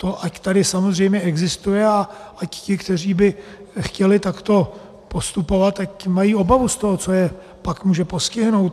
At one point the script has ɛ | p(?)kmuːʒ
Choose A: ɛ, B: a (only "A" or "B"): B